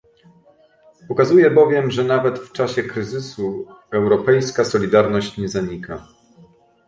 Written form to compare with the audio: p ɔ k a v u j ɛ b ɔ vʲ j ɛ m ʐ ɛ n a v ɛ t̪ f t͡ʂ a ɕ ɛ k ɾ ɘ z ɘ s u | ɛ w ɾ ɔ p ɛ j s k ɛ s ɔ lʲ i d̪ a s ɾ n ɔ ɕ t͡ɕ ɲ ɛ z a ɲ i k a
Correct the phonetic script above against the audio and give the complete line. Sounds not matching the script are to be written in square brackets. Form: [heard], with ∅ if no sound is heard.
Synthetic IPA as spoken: p ɔ k a [z] u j ɛ b ɔ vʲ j ɛ m ʐ ɛ n a v ɛ t̪ f t͡ʂ a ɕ ɛ k ɾ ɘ z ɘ s u | ɛ w ɾ ɔ p ɛ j s k [a] s ɔ lʲ i d̪ a [∅] ɾ n ɔ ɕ t͡ɕ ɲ ɛ z a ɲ i k a